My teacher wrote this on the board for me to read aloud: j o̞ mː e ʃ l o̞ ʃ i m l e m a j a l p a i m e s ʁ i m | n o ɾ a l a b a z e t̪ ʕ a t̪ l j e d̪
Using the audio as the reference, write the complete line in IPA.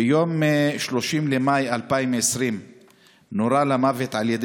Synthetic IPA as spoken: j o̞ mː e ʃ l o̞ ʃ i m l e m a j a l p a i m e s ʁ i m | n o ɾ a l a m a v e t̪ ʕ a l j e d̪